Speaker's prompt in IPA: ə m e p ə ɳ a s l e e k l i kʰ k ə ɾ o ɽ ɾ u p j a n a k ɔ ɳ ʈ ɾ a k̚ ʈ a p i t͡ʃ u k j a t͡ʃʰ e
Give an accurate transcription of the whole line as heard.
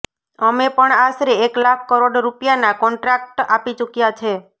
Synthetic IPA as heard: ə m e p ə ɳ a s ɾ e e k l a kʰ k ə ɾ o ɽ ɾ u p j a n a k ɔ ɳ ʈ ɾ a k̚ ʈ a p i t͡ʃ u k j a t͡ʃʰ e